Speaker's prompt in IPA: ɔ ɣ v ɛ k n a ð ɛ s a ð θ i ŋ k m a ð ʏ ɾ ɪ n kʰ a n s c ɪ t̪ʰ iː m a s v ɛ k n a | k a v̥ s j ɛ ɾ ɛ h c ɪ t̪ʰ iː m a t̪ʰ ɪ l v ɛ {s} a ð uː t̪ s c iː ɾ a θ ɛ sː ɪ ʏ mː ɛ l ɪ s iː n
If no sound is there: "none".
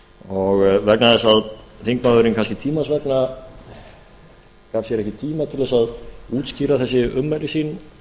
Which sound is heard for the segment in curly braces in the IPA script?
s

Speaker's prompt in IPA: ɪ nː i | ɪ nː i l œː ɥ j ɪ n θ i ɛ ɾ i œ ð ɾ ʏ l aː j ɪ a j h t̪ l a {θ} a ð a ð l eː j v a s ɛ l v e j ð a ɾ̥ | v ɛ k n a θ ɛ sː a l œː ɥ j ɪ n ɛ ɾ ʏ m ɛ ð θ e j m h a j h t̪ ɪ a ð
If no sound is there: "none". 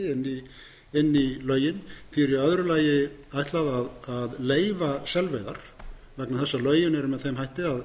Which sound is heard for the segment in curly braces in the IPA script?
ð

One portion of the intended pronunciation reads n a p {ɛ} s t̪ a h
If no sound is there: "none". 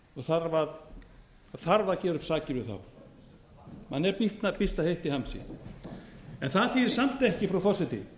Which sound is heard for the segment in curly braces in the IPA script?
i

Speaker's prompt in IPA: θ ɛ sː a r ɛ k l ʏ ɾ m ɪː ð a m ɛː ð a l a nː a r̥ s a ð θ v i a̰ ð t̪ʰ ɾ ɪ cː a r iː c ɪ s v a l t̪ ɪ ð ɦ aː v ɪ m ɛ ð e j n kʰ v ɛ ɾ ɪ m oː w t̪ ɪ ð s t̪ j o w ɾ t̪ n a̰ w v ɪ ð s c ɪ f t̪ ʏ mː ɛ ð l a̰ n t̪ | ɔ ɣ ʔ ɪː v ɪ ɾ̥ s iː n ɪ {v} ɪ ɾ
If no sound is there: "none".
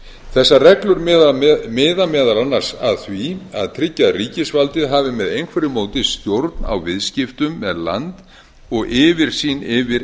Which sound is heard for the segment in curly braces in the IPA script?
v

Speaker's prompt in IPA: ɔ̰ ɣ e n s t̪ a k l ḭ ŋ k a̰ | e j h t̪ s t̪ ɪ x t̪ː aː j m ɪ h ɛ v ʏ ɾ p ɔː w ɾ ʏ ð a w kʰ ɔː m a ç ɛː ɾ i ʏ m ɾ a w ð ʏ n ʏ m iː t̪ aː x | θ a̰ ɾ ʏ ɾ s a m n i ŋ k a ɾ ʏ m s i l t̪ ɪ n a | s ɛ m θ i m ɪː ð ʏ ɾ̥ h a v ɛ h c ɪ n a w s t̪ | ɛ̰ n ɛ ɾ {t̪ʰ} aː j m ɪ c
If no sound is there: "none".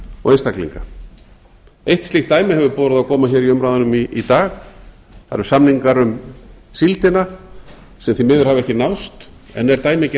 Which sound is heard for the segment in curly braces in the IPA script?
t̪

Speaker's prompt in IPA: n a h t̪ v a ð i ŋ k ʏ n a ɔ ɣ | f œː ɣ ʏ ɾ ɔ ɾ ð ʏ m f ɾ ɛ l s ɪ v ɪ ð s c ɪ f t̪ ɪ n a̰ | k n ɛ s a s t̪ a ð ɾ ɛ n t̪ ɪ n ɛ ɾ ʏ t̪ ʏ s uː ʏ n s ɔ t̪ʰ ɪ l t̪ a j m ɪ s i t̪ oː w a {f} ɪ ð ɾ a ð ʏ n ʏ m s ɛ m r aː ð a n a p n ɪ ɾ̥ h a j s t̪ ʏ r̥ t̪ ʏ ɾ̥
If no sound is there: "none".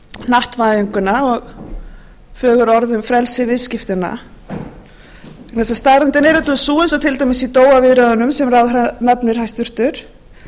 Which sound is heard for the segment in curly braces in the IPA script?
v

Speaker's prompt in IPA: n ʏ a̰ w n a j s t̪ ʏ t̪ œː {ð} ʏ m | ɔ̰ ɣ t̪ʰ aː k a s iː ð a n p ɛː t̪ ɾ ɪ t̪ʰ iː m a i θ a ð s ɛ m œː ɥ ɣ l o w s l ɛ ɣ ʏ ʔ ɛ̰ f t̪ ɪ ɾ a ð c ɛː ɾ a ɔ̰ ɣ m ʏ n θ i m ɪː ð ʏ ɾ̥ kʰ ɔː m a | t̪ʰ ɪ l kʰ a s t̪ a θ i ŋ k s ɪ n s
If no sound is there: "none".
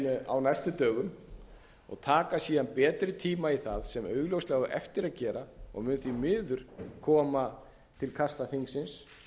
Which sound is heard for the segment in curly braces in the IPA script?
ɣ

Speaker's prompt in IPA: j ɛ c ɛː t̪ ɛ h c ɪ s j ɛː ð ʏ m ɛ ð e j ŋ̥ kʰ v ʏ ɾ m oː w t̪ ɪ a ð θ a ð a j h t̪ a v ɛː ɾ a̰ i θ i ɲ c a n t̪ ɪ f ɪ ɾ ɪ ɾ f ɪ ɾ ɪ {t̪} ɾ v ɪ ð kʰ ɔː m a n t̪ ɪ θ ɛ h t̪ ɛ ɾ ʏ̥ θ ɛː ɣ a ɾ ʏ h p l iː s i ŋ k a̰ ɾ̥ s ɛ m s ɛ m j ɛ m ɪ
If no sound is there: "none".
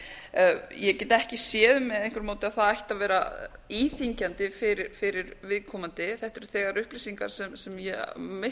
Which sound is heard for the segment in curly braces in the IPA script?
none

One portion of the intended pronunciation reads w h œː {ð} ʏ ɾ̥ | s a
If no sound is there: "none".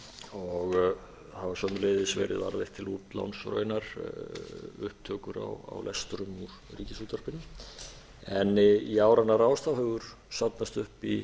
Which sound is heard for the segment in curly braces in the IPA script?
ɣ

